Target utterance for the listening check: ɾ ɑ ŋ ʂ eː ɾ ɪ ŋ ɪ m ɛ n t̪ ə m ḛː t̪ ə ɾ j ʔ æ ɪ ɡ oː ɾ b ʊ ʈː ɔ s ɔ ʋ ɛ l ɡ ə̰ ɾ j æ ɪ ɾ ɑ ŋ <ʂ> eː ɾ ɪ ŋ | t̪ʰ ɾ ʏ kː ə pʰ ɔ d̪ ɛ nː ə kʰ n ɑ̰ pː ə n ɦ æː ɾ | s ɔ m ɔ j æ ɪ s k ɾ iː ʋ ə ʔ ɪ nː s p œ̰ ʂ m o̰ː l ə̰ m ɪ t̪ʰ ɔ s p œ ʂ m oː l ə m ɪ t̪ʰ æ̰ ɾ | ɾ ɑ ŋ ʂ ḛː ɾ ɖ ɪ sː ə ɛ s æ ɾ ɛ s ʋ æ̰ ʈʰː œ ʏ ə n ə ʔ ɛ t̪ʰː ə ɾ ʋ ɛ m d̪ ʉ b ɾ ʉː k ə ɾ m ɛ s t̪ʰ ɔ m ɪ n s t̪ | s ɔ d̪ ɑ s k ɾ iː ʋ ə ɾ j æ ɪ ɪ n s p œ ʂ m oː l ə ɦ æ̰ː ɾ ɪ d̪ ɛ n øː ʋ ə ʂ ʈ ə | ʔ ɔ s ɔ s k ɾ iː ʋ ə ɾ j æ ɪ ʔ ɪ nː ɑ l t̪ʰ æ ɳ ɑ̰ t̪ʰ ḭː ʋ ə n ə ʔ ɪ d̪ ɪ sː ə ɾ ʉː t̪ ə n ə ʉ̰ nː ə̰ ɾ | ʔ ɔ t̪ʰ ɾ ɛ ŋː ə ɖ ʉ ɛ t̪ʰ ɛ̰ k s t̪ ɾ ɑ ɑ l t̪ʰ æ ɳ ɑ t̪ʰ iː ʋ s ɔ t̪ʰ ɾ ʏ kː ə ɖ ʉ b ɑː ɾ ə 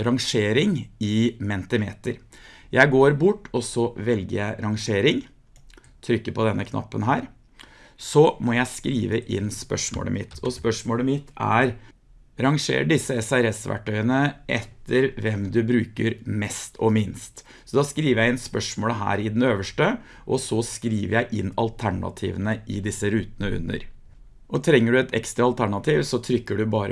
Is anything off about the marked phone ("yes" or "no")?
no